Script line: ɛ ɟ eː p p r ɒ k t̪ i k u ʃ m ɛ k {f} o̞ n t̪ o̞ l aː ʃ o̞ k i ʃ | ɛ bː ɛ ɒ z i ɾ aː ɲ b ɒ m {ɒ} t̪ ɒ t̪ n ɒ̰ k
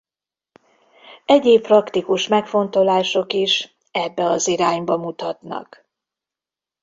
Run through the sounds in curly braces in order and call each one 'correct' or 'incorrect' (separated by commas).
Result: correct, incorrect